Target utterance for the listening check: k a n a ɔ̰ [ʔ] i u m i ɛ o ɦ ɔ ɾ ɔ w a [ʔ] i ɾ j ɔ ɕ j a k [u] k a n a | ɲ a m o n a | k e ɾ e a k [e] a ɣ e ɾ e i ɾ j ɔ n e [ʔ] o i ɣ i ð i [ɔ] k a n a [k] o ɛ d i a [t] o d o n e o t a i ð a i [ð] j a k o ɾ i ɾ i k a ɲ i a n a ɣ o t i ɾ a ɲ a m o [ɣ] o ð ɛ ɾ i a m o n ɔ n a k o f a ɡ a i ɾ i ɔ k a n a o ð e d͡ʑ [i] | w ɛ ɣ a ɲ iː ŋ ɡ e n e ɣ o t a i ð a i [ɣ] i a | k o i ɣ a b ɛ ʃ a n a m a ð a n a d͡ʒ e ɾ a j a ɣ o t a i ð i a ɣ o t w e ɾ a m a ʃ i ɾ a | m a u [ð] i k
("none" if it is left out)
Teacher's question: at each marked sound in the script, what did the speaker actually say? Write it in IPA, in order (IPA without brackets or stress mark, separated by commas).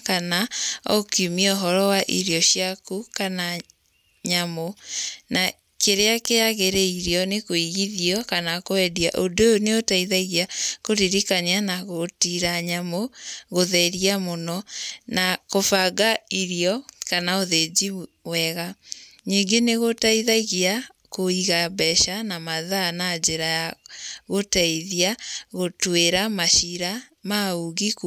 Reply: k, ʔ, u, e, k, ɔ, k, ʔ, ɣ, ɣ, i, ɣ, ɣ